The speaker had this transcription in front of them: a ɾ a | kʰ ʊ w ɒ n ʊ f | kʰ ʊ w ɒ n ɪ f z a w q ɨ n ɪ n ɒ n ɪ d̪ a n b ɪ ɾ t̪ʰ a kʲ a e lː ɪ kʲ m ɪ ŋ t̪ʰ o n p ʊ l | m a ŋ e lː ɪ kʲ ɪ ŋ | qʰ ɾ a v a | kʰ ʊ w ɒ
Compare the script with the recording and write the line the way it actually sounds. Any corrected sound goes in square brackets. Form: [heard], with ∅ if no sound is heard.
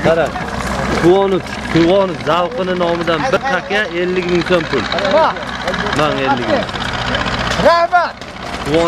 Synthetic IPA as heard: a ɾ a | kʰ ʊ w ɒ n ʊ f | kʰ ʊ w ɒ n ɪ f z a w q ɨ n ɪ n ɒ [m] ɪ d̪ a n b ɪ ɾ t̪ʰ a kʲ a e lː ɪ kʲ m ɪ ŋ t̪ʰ o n p ʊ l | m a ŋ e lː ɪ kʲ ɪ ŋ | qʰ ɾ a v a | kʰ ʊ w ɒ

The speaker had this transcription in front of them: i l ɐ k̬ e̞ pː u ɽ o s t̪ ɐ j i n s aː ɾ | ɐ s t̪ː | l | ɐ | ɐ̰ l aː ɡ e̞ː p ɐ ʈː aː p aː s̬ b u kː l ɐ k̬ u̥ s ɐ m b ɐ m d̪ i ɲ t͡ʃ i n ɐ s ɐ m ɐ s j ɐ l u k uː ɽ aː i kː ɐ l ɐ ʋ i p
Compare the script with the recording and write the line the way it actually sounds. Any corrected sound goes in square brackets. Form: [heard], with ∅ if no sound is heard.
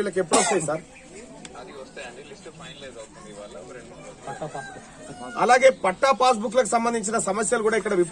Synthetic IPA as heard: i l ɐ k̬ e̞ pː u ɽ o s t̪ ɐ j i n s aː ɾ | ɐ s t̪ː | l | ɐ | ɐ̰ l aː ɡ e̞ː p ɐ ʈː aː p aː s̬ b u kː l ɐ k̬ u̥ s ɐ m b ɐ [n] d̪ i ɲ t͡ʃ i n ɐ s ɐ m ɐ s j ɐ l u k uː ɽ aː i kː ɐ [ɽ] ɐ ʋ i p

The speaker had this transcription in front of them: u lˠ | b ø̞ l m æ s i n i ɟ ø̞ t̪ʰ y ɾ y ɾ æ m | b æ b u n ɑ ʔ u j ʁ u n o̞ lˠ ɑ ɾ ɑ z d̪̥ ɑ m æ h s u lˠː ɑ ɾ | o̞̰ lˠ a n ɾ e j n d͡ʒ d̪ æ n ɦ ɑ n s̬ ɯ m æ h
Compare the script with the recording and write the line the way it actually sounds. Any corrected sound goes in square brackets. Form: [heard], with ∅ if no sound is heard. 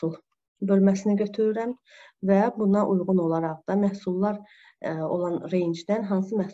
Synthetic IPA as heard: u lˠ | b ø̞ l m æ s i n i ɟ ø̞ t̪ʰ y ɾ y ɾ æ m | [v] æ b u n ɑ ʔ u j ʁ u n o̞ lˠ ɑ ɾ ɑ [ʁ] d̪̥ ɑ m æ h s u lˠː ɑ ɾ | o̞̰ lˠ [ɑ] n ɾ e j n d͡ʒ d̪ æ n ɦ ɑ n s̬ ɯ m æ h

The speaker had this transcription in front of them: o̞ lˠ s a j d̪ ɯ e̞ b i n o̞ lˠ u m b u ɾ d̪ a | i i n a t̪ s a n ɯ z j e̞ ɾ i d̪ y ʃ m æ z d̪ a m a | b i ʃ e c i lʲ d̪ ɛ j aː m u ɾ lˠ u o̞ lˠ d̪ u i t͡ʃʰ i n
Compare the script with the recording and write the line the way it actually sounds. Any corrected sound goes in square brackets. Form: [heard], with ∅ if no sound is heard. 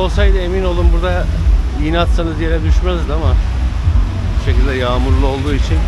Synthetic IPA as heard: o̞ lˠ s a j d̪ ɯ e̞ [m] i n o̞ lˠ u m b u ɾ d̪ a | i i n a t̪ s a n ɯ z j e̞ ɾ [ɛ] d̪ y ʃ m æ z d̪ a m a | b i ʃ e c i lʲ d̪ ɛ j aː m u ɾ lˠ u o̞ lˠ d̪ [uː] i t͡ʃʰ i n

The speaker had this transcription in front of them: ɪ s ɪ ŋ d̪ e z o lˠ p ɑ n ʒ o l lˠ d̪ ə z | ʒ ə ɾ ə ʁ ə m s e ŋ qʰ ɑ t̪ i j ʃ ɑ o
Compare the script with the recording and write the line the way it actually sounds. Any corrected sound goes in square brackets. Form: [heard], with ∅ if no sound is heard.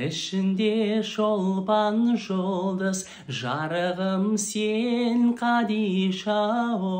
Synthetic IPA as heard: ɪ [ʃ] ɪ [n] d̪ e [ʒ] o lˠ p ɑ n ʒ o l lˠ d̪ ə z | ʒ [ɑ] ɾ ə ʁ ə m s e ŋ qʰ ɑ [d̪] i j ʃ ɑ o

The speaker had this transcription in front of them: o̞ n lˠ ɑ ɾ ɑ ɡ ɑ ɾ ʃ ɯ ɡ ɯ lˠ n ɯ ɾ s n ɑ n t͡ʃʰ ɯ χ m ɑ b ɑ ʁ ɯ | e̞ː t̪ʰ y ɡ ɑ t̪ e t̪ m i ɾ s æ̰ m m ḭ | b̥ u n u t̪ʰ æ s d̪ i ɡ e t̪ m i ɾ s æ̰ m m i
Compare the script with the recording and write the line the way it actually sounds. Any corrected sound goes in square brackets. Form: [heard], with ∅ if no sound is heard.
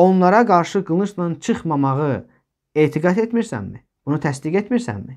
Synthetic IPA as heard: o̞ n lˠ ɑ ɾ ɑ ɡ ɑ ɾ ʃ ɯ ɡ ɯ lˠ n ɯ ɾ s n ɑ n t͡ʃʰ ɯ χ m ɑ [m] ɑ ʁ ɯ | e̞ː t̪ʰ [i] ɡ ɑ t̪ e t̪ m i ɾ s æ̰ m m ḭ | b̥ u n u t̪ʰ æ s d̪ i ɡ e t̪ m i ɾ s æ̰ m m i

